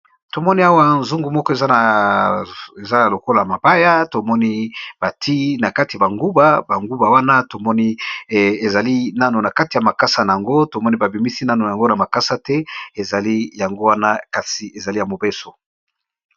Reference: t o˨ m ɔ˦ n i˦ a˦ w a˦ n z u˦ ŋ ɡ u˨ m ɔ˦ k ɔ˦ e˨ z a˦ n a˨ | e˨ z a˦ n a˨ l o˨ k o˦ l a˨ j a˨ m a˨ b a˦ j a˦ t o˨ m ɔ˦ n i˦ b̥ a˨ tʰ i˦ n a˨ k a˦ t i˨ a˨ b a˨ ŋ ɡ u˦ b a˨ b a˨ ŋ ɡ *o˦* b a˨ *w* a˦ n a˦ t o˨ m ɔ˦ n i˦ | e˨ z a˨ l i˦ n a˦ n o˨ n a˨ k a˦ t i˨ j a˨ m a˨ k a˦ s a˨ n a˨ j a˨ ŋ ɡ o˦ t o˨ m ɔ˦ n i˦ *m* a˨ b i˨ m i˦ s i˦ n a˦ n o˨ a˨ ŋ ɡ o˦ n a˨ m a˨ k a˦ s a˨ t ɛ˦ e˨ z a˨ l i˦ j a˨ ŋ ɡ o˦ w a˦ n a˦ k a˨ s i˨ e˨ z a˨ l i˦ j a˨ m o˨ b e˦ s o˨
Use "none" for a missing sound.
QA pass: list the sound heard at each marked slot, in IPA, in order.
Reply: u˦, w, b

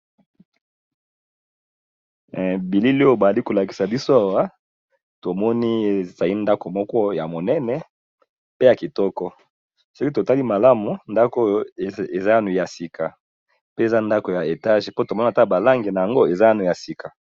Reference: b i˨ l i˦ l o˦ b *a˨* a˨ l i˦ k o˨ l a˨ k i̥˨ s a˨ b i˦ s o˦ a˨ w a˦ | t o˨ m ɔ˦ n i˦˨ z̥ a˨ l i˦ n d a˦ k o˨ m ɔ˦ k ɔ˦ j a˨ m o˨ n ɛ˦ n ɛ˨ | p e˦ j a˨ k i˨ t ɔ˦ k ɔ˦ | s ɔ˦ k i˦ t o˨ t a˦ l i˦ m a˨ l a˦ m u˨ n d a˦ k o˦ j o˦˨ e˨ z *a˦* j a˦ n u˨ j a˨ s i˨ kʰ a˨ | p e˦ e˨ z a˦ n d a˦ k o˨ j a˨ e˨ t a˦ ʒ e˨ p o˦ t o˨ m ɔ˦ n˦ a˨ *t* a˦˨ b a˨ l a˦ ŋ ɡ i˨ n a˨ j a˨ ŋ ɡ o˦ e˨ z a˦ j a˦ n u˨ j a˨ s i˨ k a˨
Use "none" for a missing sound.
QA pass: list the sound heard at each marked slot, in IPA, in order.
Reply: a˨, a˦, t

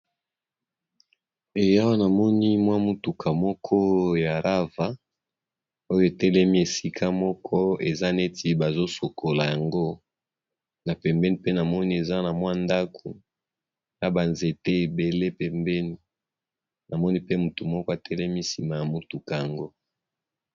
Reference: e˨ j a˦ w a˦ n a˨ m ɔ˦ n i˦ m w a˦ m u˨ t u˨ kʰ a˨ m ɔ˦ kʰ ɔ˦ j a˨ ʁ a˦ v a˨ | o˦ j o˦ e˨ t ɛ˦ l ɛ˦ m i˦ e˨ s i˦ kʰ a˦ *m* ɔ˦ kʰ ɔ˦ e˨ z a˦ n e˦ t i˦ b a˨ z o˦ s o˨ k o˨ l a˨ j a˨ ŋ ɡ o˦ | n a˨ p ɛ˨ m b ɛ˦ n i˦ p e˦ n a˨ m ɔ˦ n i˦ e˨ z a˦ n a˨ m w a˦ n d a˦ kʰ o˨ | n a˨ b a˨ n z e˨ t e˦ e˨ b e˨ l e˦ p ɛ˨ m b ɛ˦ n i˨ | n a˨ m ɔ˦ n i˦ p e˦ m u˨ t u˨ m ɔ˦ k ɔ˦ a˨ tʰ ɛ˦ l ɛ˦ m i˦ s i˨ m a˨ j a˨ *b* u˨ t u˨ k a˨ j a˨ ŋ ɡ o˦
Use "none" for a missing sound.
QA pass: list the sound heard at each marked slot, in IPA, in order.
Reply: m, m

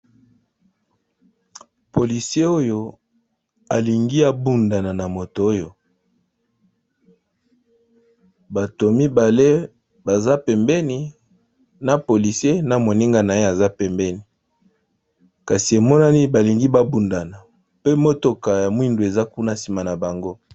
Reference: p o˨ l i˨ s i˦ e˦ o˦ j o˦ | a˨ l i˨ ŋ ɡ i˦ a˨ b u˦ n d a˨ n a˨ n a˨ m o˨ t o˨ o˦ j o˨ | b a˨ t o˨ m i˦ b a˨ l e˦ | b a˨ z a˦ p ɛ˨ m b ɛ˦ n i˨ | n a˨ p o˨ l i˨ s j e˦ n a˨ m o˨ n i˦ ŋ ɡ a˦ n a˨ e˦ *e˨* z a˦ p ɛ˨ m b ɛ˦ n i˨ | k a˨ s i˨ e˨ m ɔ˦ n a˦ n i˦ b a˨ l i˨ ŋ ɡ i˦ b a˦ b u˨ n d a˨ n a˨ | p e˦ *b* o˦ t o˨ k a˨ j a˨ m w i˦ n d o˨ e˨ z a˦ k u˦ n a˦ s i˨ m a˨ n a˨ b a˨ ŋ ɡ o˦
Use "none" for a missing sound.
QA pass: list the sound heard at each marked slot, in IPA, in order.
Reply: a˨, m

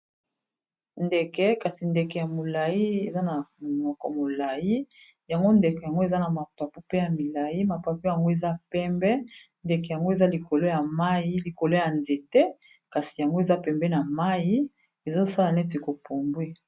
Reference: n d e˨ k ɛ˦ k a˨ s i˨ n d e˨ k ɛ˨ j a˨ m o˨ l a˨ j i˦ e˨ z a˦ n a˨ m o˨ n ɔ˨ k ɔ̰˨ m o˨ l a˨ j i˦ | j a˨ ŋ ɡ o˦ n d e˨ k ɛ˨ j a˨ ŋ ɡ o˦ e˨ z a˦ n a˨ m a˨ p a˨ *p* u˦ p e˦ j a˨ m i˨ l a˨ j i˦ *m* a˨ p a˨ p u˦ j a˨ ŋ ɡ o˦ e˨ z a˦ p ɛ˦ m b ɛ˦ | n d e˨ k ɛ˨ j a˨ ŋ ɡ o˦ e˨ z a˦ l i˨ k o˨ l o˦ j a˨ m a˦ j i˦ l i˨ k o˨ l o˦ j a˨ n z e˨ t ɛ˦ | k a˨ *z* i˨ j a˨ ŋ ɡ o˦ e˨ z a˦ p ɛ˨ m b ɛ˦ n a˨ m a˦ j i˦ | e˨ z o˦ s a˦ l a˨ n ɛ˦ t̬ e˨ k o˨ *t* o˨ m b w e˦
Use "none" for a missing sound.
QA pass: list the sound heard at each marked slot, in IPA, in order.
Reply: p, m, s, p

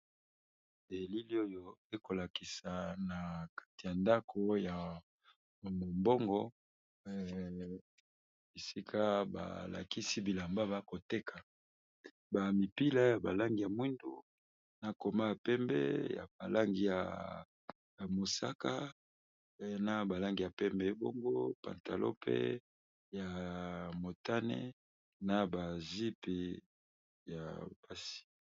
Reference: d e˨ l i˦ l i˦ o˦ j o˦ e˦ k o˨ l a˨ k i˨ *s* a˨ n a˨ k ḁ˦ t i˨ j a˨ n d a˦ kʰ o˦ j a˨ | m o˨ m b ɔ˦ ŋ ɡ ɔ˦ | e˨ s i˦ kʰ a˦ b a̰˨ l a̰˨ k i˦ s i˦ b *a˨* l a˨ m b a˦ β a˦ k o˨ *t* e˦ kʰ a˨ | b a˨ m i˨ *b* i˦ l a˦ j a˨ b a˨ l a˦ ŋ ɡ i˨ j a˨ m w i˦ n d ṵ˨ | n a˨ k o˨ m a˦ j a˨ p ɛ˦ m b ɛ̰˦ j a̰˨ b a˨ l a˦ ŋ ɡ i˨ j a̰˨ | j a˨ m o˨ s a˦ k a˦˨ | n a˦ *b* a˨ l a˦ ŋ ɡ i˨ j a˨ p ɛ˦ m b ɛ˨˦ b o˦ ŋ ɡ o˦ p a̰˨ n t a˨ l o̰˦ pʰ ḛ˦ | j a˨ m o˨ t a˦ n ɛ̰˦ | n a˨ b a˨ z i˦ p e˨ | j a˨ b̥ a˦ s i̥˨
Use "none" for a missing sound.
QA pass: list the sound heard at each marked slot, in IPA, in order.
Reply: s, i˨, t, p, b

